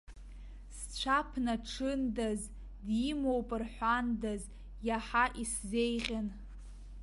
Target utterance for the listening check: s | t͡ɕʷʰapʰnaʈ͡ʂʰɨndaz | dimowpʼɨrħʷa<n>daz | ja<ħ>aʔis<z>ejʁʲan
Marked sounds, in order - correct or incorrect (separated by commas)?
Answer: correct, correct, correct